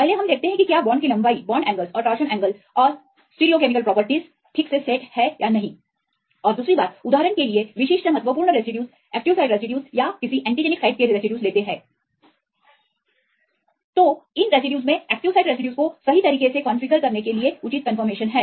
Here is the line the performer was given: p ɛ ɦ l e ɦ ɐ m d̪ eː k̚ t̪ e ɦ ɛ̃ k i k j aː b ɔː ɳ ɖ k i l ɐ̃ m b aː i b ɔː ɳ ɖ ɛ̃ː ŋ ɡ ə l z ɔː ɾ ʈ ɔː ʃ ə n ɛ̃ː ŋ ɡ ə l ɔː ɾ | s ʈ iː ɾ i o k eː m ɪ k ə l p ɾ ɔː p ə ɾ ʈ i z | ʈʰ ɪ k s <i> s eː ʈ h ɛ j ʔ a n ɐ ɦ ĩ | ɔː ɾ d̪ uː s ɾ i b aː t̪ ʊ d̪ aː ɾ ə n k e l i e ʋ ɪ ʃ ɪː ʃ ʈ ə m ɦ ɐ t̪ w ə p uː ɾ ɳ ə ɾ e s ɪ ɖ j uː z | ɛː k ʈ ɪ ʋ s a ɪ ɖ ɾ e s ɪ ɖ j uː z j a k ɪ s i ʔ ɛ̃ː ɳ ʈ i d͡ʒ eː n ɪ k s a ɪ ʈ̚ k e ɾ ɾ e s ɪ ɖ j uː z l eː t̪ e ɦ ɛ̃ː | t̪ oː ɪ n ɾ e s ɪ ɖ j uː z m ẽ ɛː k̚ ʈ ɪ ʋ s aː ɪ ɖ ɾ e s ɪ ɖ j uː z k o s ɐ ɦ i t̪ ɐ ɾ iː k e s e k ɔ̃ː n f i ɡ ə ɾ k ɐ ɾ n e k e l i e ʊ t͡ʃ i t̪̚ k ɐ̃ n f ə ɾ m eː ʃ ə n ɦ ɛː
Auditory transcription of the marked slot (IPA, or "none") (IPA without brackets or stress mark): e